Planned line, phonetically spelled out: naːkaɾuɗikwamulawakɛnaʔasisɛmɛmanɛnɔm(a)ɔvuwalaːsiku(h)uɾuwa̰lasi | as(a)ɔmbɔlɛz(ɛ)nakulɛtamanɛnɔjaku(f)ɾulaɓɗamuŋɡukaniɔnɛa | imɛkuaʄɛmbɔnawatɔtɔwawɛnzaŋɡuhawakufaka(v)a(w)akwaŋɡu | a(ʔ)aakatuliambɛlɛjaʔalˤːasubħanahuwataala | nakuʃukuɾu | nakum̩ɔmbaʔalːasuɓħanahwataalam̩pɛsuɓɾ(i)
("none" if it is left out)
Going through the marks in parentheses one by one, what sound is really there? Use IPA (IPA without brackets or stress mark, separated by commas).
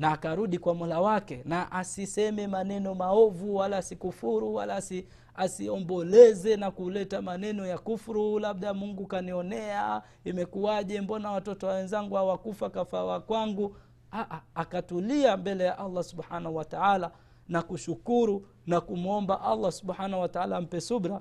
a, f, i, ɛ, f, f, w, ʔ, a